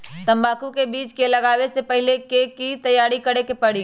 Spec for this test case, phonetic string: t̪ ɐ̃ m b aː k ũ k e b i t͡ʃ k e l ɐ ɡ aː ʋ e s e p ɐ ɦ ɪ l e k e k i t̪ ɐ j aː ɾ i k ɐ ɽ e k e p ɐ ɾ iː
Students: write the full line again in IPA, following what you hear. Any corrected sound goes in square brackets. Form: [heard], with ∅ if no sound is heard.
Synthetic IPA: t̪ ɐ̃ m b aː k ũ k e b [iː] t͡ʃ k e l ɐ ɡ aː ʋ e s e p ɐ ɦ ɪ l e k e k i t̪ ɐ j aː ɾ i k ɐ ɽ e k e p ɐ [ɽ] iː